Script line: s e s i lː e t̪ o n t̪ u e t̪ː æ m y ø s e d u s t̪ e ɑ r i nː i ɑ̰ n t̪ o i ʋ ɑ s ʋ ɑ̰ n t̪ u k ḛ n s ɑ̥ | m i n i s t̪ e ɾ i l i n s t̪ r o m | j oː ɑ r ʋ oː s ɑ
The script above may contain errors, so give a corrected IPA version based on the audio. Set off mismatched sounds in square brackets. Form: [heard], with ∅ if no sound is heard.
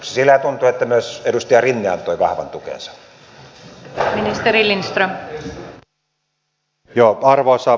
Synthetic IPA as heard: s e s i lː [æ] t̪ [u] n t̪ u e t̪ː æ m y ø s e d u s t̪ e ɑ r i nː i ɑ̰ n t̪ o i ʋ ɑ [h] ʋ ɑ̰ n t̪ u k ḛ n s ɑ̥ | m i n i s t̪ e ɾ i l i n s t̪ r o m | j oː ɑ r ʋ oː s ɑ

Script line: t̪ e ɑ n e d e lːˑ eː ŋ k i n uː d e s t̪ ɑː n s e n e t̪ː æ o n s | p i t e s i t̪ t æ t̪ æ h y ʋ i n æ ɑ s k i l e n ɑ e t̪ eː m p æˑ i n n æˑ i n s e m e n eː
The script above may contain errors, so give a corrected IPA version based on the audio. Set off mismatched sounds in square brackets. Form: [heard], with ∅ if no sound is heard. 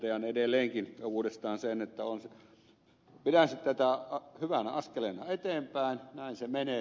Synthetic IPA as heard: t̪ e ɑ n e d e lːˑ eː ŋ k i n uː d e s t̪ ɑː n s e n e t̪ː æ o n s | p i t [æ] s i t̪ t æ t̪ æ h y ʋ [æ] n æ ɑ s k [e] l e n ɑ e t̪ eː m p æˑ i n n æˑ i n s e m e n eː

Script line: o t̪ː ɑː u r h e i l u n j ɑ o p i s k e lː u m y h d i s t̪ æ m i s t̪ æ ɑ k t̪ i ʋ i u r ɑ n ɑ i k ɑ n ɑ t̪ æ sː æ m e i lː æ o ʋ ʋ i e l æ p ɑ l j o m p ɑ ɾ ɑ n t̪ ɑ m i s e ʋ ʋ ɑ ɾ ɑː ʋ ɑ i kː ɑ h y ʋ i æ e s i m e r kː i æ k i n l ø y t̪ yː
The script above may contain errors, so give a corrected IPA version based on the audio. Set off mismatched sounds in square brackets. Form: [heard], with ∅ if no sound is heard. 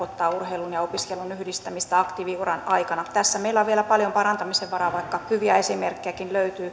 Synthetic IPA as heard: o t̪ː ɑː u r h e i l u n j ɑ o p i s k e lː u [n] y h d i s t̪ æ m i s t̪ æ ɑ k t̪ i ʋ i u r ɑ n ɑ i k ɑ n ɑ t̪ æ sː æ m e i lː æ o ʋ ʋ i e l æ p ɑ l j o m p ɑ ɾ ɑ n t̪ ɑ m i s e ʋ ʋ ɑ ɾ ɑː ʋ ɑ i kː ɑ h y ʋ i æ e s i m e r kː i æ k i n l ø y t̪ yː

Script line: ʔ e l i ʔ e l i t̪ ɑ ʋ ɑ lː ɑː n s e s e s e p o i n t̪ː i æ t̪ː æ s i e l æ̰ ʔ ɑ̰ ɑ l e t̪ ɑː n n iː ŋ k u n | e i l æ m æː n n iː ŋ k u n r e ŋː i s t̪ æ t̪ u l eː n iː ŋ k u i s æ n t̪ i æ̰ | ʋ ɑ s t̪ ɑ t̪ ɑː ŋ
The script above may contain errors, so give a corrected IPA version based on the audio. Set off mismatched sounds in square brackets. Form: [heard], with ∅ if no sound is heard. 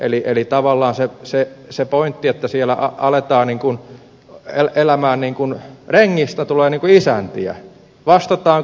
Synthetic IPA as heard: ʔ e l i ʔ e l i t̪ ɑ ʋ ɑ lː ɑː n s e s e s e p o i n t̪ː i [e] t̪ː æ s i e l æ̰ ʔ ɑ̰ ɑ l e t̪ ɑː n n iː ŋ k u n | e [e] l æ m æː n n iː ŋ k u n r e ŋː i s t̪ æ t̪ u l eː n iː ŋ k u i s æ n t̪ i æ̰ | ʋ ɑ s t̪ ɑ t̪ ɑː ŋ

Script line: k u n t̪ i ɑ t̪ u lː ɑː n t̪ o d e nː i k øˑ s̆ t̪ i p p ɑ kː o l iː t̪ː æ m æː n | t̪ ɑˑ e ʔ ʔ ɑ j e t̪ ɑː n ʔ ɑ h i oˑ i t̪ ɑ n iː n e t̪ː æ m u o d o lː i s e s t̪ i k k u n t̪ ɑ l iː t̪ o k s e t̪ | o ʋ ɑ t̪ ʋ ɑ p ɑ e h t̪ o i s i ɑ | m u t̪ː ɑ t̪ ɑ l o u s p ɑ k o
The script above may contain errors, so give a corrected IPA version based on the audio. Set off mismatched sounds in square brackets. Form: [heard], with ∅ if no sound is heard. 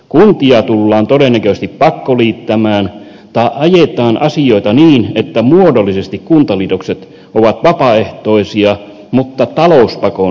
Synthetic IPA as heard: k u n t̪ i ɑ t̪ u lː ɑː n t̪ o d e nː [æ] k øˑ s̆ t̪ i p p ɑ kː o l iː t̪ː æ m æː n | t̪ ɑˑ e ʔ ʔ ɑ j e t̪ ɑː n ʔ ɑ [s] i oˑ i t̪ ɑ n iː n e t̪ː æ m u o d o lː i s e s t̪ i k k u n t̪ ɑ l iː t̪ o k s e t̪ | o ʋ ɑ t̪ ʋ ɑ p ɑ e h t̪ o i s i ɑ | m u t̪ː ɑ t̪ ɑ l o u s p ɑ k o

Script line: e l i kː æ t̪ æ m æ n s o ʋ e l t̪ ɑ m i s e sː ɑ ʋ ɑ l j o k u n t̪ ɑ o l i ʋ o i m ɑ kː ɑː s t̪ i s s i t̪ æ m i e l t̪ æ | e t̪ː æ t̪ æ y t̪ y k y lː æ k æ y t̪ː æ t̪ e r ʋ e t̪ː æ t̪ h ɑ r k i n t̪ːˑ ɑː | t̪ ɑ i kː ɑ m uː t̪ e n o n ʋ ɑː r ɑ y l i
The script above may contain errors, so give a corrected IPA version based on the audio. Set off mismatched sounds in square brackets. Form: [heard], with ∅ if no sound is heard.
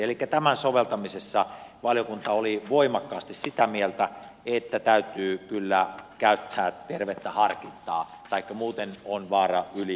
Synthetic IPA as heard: e l i kː æ t̪ æ m æ n s o ʋ e l t̪ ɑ m i s e sː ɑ ʋ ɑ l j o k u n t̪ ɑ o l i ʋ o i m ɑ kː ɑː s t̪ i s s i t̪ æ m i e l t̪ æ | e t̪ː æ t̪ æ y t̪ [yː] k y lː æ k æ y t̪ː [æː] t̪ e r ʋ e t̪ː æ [∅] h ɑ r k i n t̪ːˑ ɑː | t̪ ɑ i kː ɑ m uː t̪ e n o n ʋ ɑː r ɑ y l i

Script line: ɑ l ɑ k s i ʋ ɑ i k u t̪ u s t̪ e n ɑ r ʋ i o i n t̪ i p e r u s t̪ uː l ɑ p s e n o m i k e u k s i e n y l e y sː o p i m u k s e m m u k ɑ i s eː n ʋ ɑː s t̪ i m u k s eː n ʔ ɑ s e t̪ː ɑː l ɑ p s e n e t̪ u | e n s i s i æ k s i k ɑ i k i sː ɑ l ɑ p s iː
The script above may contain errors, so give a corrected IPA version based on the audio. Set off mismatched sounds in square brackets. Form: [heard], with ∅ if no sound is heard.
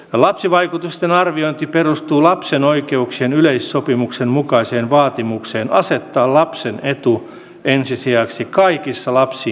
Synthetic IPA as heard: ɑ l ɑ [p] s i ʋ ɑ i k u t̪ u s t̪ e n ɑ r ʋ i o i n t̪ i p e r u s t̪ uː l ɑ p s e n o [∅] i k e u k s i e n y l e [i] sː o p i m u k s e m m u k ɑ i s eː n ʋ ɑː [∅] t̪ i m u k s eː n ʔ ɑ s e t̪ː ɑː l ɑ p s e n e t̪ u | e n s i s i æ k s i k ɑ i k i sː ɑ l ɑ p s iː

